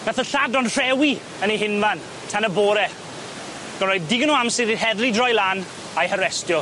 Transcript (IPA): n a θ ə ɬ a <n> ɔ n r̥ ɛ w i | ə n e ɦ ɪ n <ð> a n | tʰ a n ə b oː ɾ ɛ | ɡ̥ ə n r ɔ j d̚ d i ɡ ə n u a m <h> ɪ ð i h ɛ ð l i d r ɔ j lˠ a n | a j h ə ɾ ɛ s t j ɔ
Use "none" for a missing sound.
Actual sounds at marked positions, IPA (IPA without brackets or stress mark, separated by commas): d, v, s